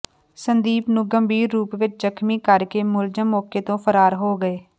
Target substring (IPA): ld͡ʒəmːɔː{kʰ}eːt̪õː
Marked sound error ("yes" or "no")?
yes